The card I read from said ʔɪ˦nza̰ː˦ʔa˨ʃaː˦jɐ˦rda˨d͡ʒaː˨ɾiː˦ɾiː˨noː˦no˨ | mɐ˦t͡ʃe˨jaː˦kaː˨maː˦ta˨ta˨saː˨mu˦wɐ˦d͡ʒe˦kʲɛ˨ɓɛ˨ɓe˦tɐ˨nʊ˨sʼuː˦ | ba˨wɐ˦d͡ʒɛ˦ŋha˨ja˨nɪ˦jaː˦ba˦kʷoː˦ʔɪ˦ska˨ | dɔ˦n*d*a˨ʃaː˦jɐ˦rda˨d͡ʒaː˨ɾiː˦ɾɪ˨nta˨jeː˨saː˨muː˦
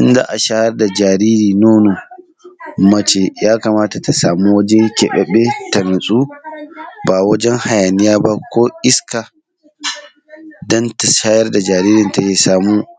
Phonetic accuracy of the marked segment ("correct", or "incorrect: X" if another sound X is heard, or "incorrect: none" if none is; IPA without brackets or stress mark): incorrect: t